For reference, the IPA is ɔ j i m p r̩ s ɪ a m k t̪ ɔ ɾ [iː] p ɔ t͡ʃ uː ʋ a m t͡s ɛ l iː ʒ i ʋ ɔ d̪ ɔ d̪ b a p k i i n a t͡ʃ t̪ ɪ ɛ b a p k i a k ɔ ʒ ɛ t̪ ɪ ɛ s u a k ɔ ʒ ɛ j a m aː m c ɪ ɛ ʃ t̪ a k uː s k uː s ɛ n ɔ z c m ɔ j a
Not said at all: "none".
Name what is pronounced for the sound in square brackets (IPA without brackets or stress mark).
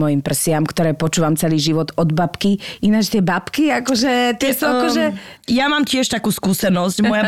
ɛː